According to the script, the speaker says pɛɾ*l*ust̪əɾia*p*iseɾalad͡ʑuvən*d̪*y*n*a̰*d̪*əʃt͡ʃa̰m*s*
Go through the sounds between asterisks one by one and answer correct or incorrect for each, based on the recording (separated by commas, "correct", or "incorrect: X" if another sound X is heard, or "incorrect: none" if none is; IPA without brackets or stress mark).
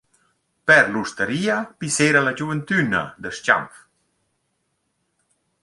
correct, correct, incorrect: t̪, correct, correct, incorrect: f